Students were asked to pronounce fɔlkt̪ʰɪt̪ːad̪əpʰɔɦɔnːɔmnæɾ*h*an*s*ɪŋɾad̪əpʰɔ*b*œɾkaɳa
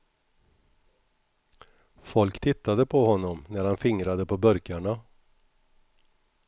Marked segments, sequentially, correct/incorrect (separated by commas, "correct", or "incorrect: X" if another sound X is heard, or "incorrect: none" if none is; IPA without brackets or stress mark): correct, incorrect: f, correct